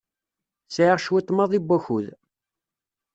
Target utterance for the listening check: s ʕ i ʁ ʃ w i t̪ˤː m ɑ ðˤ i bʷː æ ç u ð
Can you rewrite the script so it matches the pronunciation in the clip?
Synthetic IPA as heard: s ʕ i ʁ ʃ w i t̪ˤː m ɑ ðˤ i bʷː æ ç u ð